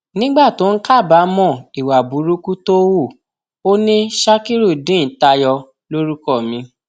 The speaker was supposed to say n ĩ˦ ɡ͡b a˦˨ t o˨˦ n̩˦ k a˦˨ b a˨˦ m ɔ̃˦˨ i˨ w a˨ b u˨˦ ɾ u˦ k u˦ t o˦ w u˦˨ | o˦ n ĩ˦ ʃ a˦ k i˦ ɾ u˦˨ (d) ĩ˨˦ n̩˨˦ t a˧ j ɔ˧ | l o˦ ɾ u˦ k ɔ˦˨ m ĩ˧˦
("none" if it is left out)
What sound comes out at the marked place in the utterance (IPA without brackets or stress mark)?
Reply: d